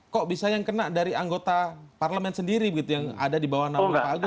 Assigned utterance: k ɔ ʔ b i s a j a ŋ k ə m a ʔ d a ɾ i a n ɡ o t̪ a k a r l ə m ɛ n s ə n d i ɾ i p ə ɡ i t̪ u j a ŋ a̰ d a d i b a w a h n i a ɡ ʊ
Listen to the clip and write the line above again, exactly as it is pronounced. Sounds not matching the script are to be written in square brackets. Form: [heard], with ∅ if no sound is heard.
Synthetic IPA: k ɔ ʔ b i s a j a ŋ k ə [n] a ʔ d a ɾ i a [ŋ] ɡ o t̪ a [p] a r l ə m ɛ n s ə n d i ɾ i [b] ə ɡ i t̪ u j a ŋ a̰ d a d i b a w a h n [a] a ɡ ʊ

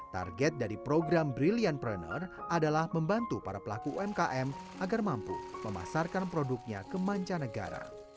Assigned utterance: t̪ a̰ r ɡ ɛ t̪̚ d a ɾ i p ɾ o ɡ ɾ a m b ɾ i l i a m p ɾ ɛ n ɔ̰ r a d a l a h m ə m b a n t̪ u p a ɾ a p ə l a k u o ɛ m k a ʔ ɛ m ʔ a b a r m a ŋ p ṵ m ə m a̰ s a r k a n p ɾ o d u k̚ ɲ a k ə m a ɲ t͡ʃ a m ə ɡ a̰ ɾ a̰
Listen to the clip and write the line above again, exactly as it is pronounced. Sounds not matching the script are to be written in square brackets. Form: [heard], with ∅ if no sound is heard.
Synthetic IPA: t̪ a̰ r ɡ ɛ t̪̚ d a ɾ i p ɾ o ɡ ɾ a m b ɾ i l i a [n] p ɾ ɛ n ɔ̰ r a d a l a h m ə m b a n t̪ u p a ɾ a p ə l a k u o ɛ m k a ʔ ɛ m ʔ a [ɡ] a r m a [m] p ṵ m ə m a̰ s a r k a n p ɾ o d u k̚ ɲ a k ə m a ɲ t͡ʃ a [n] ə ɡ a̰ ɾ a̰

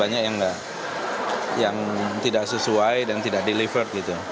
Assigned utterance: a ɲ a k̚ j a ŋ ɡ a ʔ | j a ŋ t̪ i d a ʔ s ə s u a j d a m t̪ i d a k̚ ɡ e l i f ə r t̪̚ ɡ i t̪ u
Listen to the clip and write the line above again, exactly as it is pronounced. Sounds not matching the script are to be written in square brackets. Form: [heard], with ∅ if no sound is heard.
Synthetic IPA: a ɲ a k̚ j a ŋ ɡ a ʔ | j a ŋ t̪ i d a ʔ s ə s u a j d a [n] t̪ i d a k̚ [d] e l i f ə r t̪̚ ɡ i t̪ u

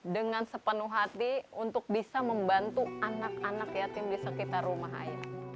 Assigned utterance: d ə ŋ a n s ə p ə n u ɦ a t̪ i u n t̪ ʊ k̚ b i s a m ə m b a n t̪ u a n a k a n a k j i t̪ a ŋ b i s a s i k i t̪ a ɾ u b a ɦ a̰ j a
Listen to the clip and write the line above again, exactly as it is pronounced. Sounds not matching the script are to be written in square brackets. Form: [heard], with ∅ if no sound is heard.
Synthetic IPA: d ə ŋ a n s ə p ə n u ɦ a t̪ i u n t̪ ʊ k̚ b i s a m ə m b a n t̪ u a n a k a n a k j [a] t̪ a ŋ b i [∅] a s [a] k i t̪ a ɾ u [m] a ɦ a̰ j a

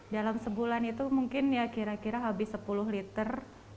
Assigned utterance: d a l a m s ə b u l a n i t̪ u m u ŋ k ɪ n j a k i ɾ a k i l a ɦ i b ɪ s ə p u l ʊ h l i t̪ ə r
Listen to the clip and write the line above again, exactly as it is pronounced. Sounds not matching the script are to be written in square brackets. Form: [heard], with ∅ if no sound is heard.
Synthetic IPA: d a l a m s ə b u l a n i t̪ u m u ŋ k ɪ n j a k i ɾ a k i [ɾ] a ɦ [a] b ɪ s ə p u l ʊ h l i t̪ ə r

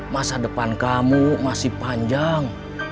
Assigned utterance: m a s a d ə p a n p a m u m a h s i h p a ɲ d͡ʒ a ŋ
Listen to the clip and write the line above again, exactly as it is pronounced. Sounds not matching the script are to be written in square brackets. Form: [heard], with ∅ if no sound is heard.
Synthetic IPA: m a s a d ə p a n [k] a m u m a [∅] s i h p a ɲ d͡ʒ a ŋ

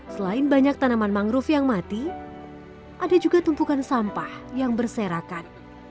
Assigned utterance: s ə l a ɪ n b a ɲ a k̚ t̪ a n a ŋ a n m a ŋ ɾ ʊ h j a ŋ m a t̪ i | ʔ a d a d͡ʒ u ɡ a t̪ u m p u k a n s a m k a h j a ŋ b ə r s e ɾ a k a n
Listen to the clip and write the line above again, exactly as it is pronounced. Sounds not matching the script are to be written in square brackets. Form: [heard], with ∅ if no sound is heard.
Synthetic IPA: s ə l a ɪ n b a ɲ a k̚ t̪ a n a [m] a n m a ŋ ɾ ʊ [f] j a ŋ m a t̪ i | ʔ a d a d͡ʒ u ɡ a t̪ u m p u k a n s a m [p] a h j a ŋ b ə r s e ɾ a k a n

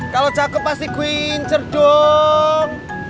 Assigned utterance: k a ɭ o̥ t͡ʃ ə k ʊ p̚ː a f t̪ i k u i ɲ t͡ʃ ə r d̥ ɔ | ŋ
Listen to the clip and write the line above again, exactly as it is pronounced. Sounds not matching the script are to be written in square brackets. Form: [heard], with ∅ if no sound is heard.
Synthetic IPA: k a [l] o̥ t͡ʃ [a] k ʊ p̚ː a [s] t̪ i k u i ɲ t͡ʃ ə r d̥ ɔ | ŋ

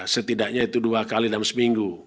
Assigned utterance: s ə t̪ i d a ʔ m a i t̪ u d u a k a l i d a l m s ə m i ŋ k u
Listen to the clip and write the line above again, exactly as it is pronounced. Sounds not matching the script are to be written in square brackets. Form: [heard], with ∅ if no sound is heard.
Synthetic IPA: s ə t̪ i d a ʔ [ɲ] a i t̪ u d u a k a l i d a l m s ə m i ŋ [ɡ] u

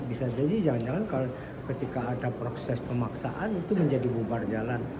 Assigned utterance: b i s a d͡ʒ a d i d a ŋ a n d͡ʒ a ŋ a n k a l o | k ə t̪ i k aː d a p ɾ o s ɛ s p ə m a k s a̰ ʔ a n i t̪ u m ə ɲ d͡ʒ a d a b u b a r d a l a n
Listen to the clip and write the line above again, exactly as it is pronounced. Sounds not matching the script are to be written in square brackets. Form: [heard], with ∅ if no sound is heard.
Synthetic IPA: b i s a d͡ʒ a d i [d͡ʒ] a ŋ a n d͡ʒ a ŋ a n k a l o | k ə t̪ i k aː d a p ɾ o s ɛ s p ə m a k s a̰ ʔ a n i t̪ u m ə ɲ d͡ʒ a d [i] b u b a r [d͡ʒ] a l a n

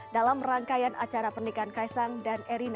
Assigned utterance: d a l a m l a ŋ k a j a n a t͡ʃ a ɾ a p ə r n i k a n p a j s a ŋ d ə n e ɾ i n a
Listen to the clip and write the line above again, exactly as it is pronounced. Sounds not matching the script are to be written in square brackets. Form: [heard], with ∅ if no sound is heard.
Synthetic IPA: d a l a m [r] a ŋ k a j a n a t͡ʃ a ɾ a p ə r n i k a n [k] a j s a ŋ d [a] n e ɾ i n a

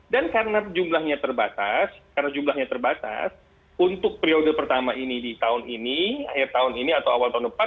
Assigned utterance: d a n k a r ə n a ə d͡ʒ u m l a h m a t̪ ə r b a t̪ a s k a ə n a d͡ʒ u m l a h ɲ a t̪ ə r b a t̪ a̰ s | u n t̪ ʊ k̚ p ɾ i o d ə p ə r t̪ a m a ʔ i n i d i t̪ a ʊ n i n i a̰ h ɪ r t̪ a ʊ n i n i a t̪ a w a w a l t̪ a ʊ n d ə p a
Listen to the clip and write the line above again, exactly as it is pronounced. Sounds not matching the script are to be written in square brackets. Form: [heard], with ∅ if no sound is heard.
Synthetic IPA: d a n k a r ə n a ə d͡ʒ u m l a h [ɲ] a t̪ ə r b a t̪ a s k a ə n a d͡ʒ u m l a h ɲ a t̪ ə r b a t̪ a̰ s | u n t̪ ʊ k̚ p ɾ i o d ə p ə r t̪ a m a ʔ i n i d i t̪ a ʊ n i n i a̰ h ɪ r t̪ a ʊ n i n i a t̪ a w a w a l t̪ a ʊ n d ə p a

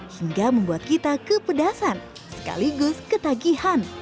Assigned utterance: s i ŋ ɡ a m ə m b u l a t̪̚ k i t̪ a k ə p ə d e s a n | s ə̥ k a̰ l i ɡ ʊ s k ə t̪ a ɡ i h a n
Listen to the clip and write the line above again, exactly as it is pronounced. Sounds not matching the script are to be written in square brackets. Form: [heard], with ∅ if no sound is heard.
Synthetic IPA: [h] i ŋ ɡ a m ə m b u [∅] a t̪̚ k i t̪ a k ə p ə d [a] s a n | s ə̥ k a̰ l i ɡ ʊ s k ə t̪ a ɡ i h a n

